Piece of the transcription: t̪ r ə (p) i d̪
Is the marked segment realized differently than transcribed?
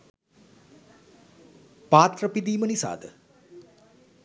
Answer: no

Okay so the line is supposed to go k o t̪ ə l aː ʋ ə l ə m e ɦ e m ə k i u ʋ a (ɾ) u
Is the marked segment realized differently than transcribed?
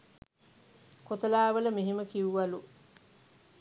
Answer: yes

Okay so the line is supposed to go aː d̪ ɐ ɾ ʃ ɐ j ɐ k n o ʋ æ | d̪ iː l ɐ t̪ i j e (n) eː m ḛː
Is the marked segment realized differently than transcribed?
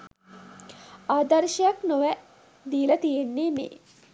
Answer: yes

